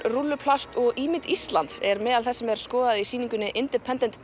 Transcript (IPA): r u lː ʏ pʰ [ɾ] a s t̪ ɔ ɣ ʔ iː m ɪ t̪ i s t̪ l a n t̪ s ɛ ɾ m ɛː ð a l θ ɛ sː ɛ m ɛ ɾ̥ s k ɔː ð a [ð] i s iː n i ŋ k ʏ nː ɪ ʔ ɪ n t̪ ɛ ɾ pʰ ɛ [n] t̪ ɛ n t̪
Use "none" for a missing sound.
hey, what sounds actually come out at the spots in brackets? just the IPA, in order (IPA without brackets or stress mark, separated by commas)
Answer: l, ð, n